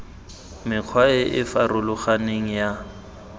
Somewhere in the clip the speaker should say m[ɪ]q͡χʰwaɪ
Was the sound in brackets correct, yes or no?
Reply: yes